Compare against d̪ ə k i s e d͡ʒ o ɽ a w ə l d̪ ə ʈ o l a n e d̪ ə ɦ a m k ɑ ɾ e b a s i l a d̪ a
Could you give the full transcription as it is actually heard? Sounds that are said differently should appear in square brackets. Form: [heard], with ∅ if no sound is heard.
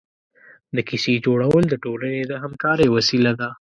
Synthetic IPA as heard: d̪ ə k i s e d͡ʒ o ɽ a w ə l d̪ ə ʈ o l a n e d̪ ə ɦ a m k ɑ ɾ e [w] a s i l a d̪ a

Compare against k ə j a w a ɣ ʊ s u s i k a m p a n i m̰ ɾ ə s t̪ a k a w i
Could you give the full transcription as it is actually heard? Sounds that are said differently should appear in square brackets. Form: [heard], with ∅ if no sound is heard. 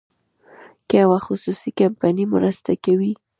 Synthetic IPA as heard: k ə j a w a [x] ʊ s u s i k a m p a n i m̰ ɾ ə s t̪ a k a w i

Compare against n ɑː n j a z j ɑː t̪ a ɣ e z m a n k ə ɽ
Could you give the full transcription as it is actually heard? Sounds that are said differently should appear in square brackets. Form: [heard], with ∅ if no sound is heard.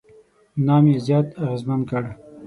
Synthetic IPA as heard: n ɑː [m] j [e] z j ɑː t̪ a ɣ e z m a n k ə ɽ

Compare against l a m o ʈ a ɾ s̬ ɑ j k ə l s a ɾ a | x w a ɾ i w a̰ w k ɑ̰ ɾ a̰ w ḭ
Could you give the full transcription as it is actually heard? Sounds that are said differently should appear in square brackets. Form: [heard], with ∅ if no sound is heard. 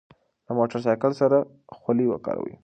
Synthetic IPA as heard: l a m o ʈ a ɾ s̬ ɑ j k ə l s a ɾ a | x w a [l] i w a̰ [∅] k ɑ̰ ɾ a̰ w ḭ

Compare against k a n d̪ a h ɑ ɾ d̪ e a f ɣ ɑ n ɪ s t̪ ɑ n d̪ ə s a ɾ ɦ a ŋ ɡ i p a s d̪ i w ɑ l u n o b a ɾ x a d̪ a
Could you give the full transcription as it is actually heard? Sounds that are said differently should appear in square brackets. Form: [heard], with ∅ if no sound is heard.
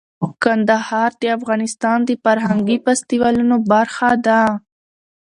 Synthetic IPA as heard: k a n d̪ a h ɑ ɾ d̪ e a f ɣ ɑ n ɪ s t̪ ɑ n d̪ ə [f] a ɾ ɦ a ŋ ɡ i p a s [t̪] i w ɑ l u n o b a ɾ x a d̪ a

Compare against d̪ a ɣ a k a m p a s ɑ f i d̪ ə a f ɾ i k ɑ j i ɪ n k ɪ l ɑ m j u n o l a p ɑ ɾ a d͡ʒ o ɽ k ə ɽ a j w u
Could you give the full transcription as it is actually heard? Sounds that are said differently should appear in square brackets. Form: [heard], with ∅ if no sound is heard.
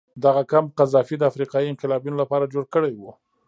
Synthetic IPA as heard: d̪ a ɣ a k a m [q] a [z] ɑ f i d̪ ə a f ɾ i [q] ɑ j i ɪ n [q] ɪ l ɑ [b] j u n o l a p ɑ ɾ a d͡ʒ o ɽ k ə ɽ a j w u

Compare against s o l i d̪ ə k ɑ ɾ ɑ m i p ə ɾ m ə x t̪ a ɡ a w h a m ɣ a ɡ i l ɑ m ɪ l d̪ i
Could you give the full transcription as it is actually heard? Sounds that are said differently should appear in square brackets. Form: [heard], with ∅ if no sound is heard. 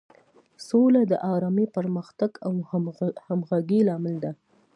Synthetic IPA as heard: s o l [a] d̪ ə [ʔ] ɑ ɾ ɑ m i p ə ɾ m ə x t̪ a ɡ a w h a m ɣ a ɡ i l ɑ m ɪ l d̪ [a]

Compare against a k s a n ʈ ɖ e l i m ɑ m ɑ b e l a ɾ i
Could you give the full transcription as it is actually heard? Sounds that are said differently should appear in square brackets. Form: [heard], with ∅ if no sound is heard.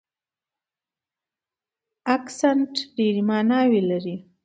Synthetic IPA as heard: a k s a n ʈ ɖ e [ɾ] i m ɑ [n] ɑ [w] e l a ɾ i

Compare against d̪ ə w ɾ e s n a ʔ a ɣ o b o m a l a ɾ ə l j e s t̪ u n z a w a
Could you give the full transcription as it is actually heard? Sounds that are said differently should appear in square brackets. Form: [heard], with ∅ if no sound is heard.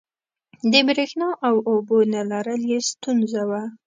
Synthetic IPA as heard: d̪ ə [b] ɾ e [x] n [ɑ] ʔ a [w] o b o [n] a l a ɾ ə l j e s t̪ u n z a w a

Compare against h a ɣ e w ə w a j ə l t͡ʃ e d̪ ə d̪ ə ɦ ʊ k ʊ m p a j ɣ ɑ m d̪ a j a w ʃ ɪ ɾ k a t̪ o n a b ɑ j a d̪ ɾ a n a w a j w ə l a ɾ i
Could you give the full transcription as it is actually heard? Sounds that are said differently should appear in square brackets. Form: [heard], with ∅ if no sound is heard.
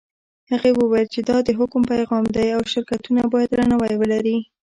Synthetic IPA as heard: h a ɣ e w ə w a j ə l t͡ʃ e d̪ [ɑ] d̪ ə ɦ ʊ k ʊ m p a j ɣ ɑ m d̪ a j a w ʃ ɪ ɾ k a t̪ [u] n a b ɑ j a d̪ ɾ a n a w a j w ə l a ɾ i

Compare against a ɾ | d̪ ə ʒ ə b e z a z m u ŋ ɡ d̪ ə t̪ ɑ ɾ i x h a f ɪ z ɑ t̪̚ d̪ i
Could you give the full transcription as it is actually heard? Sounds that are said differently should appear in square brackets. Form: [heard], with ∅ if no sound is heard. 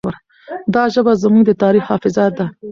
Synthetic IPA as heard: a ɾ | d̪ [ɑ] ʒ ə b [a] z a [∅] m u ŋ ɡ d̪ ə t̪ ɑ ɾ i x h [ɑ] f ɪ z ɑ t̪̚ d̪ [a]

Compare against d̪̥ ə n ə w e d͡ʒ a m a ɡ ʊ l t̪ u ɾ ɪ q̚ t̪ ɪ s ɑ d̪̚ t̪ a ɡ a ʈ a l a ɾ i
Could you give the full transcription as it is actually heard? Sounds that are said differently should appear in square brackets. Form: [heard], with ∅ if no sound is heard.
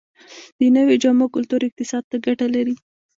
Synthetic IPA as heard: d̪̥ ə n ə w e d͡ʒ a m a [k] ʊ l t̪ u ɾ ɪ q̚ t̪ ɪ s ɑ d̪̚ t̪ a ɡ a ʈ a l a ɾ i

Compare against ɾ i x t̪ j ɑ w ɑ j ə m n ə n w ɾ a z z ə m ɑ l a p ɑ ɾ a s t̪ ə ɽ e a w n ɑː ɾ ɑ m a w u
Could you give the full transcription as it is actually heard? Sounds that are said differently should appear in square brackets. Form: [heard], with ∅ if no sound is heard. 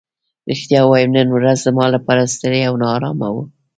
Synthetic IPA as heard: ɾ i x t̪ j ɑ w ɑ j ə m n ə n w ɾ a z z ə m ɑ l a p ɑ ɾ a s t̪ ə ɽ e a w n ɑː ɾ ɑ m a w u

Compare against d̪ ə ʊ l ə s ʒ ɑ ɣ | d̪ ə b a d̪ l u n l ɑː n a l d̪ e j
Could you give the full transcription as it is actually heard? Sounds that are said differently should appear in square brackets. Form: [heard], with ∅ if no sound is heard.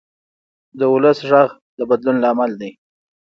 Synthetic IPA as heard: d̪ ə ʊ l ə s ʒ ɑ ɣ | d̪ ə b a d̪ l u n l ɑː [m] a l d̪ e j

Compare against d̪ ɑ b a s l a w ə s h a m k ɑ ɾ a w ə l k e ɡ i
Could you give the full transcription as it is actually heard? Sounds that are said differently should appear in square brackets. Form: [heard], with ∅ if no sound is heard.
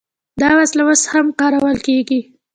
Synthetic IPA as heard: d̪ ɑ [w] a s l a w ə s h a m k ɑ ɾ a w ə l k e ɡ i

